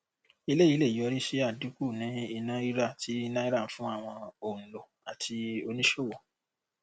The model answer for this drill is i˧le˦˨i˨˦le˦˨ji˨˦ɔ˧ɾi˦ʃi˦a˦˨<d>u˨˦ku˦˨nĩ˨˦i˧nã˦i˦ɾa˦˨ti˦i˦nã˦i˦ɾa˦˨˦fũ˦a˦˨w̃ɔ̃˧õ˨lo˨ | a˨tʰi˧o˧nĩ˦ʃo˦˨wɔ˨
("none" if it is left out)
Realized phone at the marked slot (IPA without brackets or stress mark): d